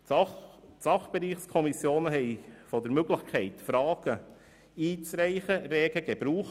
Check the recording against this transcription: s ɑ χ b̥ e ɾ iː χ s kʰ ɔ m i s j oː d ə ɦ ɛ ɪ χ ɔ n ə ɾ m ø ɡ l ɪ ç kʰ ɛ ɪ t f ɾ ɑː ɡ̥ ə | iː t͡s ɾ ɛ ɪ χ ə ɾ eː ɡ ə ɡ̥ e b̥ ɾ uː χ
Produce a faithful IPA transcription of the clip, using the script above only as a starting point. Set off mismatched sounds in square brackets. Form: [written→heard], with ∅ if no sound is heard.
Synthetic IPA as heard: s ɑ χ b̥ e ɾ iː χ s kʰ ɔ m i s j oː [d→n] ə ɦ ɛ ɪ [χ→f] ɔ [n→d] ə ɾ m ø ɡ l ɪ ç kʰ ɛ ɪ t f ɾ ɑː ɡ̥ ə | iː t͡s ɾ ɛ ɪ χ ə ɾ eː ɡ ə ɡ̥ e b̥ ɾ uː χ